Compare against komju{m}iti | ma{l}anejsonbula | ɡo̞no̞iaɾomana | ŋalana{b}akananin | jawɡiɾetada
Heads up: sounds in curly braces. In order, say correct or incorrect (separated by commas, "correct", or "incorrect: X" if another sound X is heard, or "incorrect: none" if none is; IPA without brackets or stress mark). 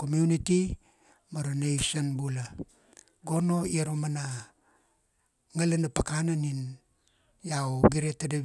incorrect: n, incorrect: ɾ, incorrect: p